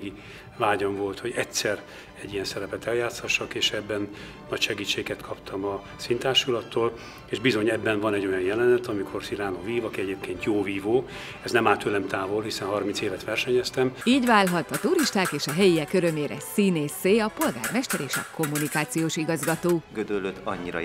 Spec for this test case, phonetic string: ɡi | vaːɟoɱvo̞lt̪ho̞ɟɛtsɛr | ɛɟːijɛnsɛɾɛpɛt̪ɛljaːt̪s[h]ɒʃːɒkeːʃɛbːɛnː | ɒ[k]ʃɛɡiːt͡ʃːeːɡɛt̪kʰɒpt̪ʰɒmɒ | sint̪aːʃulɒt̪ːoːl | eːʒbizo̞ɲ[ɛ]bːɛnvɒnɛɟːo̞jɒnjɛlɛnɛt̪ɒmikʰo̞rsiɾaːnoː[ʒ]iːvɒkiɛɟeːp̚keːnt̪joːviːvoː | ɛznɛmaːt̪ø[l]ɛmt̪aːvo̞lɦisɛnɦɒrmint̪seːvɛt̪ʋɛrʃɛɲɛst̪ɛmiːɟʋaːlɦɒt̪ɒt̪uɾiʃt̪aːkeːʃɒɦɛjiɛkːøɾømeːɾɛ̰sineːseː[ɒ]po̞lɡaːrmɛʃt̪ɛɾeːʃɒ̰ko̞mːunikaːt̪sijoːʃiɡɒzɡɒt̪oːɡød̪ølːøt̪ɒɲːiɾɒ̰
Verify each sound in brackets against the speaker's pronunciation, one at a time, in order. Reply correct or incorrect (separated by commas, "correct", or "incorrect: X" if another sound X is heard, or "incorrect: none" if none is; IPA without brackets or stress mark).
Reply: correct, incorrect: c, correct, incorrect: v, correct, correct